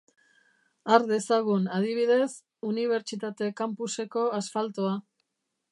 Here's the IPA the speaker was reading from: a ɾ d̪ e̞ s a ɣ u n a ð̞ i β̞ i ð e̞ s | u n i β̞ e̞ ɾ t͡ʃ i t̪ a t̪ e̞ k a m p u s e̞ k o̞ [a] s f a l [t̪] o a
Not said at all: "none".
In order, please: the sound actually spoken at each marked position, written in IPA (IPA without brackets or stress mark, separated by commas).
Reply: a, t̪